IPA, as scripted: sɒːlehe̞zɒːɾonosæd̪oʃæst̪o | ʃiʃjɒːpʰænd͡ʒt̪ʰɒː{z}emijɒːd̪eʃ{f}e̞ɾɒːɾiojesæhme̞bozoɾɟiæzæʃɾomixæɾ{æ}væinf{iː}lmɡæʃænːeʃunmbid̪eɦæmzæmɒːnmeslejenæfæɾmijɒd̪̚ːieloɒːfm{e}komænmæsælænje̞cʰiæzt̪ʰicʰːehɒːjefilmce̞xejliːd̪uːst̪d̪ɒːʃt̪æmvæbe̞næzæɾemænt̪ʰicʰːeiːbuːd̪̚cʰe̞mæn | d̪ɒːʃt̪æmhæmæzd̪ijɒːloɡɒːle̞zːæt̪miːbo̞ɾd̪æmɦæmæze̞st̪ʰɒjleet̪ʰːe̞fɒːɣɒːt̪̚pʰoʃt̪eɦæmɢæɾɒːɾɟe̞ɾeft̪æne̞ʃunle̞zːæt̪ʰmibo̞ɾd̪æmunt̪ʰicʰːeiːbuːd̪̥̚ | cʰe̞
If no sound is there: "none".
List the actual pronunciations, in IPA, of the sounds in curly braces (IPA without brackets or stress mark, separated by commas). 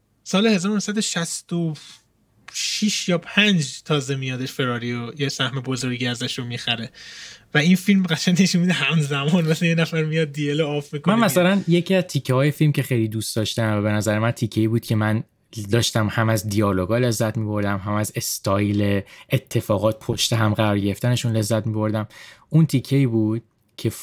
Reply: z, f, e, i, i